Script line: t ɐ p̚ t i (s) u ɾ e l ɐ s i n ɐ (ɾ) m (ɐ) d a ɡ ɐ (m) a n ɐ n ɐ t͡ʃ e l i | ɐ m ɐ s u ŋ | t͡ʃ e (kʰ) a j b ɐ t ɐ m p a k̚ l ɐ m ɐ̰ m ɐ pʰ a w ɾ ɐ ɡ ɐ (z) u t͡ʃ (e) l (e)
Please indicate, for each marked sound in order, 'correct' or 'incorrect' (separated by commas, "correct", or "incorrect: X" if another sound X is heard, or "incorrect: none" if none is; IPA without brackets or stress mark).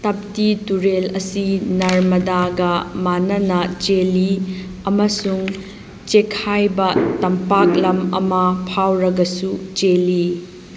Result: incorrect: t, correct, correct, correct, correct, incorrect: s, correct, incorrect: i